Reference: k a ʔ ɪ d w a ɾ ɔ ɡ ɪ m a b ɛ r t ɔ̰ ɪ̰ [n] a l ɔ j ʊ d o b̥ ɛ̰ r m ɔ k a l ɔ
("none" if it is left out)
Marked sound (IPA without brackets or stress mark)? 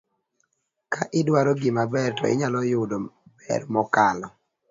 ɲ